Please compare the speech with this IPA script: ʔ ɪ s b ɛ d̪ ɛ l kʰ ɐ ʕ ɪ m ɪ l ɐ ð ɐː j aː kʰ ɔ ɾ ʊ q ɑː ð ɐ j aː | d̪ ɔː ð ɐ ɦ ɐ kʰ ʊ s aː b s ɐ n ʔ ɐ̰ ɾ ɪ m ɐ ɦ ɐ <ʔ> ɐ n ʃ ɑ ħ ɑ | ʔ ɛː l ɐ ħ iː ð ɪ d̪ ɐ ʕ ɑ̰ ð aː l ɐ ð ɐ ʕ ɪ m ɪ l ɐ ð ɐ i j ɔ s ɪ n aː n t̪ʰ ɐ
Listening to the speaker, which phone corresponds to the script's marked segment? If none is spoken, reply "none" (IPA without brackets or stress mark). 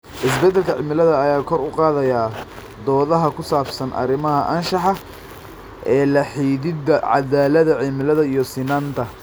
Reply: ʔ